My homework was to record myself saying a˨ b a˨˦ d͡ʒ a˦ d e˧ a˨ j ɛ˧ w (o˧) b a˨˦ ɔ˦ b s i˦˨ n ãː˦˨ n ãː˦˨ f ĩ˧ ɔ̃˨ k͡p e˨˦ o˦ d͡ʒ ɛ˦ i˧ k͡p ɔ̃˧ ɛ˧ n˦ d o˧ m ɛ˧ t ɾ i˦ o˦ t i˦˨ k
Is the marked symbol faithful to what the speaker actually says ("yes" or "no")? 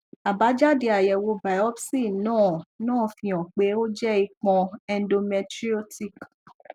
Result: yes